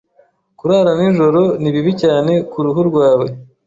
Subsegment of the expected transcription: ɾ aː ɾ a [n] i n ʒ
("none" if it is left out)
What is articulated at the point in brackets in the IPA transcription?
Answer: n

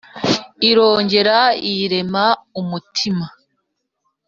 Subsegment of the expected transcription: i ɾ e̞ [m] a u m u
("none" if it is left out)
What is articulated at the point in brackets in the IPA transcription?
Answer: m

